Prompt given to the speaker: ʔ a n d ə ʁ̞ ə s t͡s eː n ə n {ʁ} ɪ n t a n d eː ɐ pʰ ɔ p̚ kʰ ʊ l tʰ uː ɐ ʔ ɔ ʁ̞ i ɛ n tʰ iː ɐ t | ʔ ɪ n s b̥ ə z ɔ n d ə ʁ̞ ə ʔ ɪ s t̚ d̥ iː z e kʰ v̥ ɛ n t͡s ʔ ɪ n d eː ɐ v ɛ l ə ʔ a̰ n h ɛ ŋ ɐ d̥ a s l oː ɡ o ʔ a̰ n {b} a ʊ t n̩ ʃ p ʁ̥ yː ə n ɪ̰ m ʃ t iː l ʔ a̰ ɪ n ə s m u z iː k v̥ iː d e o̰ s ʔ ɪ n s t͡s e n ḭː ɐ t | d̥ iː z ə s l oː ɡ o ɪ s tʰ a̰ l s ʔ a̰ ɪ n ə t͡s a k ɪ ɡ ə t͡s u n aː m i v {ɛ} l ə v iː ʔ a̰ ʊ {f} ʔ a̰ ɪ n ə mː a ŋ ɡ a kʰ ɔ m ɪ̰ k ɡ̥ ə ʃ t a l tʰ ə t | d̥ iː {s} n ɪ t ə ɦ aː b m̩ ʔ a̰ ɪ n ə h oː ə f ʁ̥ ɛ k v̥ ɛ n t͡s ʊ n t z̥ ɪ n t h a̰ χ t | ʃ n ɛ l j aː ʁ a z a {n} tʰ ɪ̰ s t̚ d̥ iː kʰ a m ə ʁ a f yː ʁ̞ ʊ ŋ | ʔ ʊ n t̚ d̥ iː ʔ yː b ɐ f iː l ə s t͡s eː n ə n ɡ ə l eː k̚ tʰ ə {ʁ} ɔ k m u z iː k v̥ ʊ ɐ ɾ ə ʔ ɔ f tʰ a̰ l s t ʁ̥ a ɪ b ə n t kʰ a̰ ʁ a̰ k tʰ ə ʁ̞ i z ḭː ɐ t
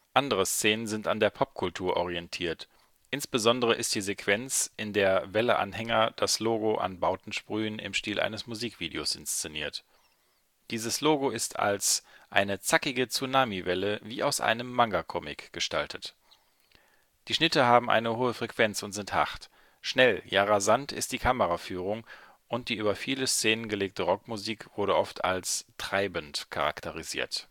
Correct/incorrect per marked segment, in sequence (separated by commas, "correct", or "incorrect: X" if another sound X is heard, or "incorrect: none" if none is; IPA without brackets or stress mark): incorrect: z, correct, correct, incorrect: s, incorrect: ʃ, correct, correct